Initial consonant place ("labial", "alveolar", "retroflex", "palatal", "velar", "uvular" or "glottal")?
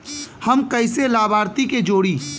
glottal